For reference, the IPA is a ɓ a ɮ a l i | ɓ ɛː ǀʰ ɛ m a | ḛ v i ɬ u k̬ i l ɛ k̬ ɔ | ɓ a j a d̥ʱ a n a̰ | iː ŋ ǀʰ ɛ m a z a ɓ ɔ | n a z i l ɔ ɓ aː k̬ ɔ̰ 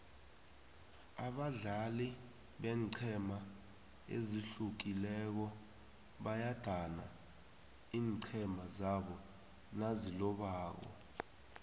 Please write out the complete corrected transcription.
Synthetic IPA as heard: a ɓ a ɮ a l i | ɓ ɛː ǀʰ ɛ m a | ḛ z i ɬ u k̬ i l ɛ k̬ ɔ | ɓ a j a d̥ʱ a n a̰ | iː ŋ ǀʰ ɛ m a z a ɓ ɔ | n a z i l ɔ ɓ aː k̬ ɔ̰